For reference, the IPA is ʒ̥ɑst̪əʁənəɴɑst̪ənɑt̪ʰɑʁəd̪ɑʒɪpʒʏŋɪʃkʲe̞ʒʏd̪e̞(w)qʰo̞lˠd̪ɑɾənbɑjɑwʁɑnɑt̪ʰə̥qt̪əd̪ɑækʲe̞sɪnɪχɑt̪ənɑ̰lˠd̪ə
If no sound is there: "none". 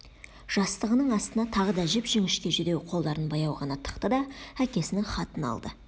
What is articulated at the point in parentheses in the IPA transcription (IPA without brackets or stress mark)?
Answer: w